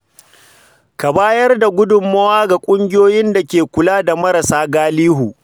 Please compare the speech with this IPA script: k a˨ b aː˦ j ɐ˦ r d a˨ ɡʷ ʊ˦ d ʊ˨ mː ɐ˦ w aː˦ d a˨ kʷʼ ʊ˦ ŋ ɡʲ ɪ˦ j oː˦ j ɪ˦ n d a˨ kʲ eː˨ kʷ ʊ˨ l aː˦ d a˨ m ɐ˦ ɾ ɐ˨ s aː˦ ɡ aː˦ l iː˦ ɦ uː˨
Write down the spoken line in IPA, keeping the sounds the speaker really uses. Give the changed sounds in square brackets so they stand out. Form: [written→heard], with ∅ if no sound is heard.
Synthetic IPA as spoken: k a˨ b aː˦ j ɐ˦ r d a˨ ɡʷ ʊ˦ d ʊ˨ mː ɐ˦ w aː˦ [d→ɡ] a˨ kʷʼ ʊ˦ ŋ ɡʲ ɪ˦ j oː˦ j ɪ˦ n d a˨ kʲ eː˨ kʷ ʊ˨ l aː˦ d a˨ m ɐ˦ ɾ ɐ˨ s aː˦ ɡ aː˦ l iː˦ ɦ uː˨